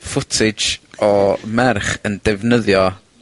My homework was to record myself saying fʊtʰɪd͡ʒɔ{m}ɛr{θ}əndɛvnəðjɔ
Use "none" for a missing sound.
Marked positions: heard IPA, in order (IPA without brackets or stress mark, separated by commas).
m, χ